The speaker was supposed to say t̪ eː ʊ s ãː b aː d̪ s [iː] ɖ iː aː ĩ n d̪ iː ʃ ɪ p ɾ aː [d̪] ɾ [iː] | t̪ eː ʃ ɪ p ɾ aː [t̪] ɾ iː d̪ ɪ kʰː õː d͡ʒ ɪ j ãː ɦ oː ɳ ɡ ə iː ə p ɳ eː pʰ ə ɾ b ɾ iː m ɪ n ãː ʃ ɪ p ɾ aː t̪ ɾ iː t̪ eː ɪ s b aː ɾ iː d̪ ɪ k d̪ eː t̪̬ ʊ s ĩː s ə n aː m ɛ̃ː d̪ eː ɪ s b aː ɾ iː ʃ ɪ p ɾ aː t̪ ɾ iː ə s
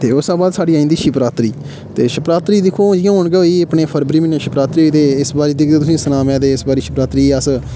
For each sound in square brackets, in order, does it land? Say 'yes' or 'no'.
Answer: no, no, yes, yes

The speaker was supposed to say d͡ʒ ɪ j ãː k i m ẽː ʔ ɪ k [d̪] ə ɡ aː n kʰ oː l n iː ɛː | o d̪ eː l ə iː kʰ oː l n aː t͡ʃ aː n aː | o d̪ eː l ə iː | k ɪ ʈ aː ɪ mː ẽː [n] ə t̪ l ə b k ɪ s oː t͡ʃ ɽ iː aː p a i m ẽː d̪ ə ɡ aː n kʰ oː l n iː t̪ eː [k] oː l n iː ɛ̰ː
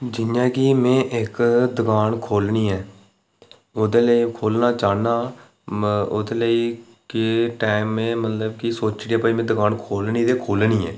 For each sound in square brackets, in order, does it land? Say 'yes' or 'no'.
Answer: yes, no, no

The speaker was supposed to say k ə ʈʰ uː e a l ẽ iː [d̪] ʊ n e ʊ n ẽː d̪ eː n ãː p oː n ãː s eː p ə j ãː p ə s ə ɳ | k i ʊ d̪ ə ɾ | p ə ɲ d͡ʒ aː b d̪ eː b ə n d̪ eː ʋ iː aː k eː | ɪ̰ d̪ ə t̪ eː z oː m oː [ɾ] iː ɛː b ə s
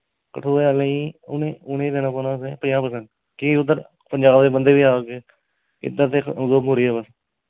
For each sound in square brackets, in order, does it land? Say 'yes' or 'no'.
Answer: no, yes

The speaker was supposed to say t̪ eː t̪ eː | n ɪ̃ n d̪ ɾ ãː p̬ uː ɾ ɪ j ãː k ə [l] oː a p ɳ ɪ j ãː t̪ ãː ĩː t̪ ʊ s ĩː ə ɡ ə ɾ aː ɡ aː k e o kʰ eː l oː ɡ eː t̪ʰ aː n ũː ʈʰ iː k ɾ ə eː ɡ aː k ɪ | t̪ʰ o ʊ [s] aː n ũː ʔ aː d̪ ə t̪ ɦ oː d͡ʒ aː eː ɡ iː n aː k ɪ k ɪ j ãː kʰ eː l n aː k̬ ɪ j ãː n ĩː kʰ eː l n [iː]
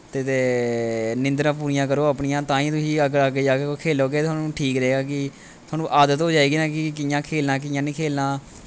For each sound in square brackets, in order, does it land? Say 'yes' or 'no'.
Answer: no, no, no

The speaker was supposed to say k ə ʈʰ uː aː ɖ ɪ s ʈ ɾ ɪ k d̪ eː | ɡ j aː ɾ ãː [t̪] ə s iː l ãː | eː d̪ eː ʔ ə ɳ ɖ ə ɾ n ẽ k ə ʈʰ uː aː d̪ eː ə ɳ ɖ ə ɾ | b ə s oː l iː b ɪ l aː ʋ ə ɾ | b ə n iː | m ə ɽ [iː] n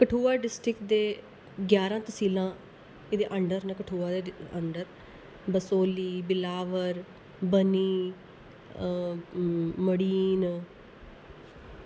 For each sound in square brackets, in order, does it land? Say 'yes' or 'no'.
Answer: yes, yes

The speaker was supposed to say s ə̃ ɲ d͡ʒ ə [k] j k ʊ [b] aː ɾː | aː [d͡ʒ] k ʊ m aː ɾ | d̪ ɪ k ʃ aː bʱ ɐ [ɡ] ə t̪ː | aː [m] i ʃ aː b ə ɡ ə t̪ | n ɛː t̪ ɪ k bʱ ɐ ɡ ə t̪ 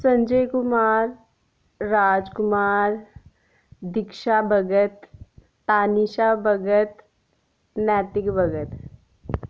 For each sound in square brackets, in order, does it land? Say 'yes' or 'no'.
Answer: no, no, yes, yes, no

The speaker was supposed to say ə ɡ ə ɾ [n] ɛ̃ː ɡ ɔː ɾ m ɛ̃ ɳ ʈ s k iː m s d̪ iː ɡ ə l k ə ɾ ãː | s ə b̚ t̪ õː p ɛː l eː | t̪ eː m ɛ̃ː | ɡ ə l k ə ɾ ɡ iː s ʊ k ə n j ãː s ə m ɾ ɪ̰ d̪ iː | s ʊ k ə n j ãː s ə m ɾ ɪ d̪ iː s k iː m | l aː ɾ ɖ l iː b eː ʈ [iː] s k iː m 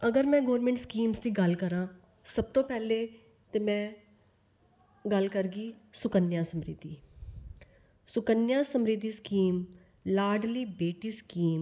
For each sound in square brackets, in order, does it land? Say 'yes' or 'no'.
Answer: no, yes

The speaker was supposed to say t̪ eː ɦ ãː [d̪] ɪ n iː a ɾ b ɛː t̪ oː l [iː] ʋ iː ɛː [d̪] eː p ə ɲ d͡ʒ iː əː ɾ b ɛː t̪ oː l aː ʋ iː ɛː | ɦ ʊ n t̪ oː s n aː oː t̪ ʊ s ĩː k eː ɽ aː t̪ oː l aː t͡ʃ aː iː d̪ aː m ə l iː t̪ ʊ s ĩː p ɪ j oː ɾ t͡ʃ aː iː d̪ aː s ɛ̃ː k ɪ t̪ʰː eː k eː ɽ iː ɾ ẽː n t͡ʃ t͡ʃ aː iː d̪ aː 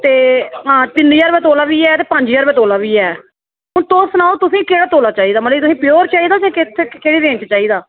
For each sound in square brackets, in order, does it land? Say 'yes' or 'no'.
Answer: no, no, no

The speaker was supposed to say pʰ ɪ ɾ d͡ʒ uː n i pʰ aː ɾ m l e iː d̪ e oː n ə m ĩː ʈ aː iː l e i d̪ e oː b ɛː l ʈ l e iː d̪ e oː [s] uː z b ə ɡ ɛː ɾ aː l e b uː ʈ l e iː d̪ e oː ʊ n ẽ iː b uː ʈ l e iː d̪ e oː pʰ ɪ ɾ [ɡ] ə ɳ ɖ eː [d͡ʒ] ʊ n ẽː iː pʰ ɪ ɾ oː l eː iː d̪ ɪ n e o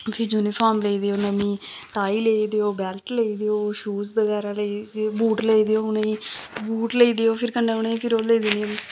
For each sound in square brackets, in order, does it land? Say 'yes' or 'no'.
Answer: no, no, no

